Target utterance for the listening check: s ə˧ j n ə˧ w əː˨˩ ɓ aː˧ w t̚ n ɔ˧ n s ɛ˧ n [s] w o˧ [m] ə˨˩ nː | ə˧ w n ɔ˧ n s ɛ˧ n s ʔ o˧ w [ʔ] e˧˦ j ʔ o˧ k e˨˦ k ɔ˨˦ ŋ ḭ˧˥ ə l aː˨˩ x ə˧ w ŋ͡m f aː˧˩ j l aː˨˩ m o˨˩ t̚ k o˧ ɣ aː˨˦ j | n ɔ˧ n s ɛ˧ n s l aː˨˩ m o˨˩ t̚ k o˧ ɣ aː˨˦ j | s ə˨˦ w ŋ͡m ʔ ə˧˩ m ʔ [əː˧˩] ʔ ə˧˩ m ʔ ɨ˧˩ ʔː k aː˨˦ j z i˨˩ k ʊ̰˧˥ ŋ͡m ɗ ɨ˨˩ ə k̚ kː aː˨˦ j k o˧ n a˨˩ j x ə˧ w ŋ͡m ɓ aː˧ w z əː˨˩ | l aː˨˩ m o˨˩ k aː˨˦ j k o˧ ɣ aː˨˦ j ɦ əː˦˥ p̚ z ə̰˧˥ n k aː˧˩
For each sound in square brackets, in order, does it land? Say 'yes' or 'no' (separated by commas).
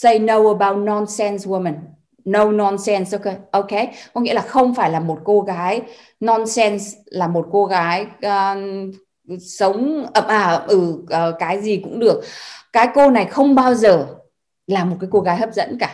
yes, yes, no, no